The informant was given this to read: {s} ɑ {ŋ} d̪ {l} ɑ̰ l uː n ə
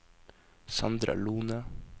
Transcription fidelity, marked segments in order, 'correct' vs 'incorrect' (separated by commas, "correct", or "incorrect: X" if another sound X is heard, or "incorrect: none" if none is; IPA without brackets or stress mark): correct, incorrect: n, incorrect: ɾ